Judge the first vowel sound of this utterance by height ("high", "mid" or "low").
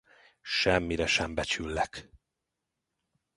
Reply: mid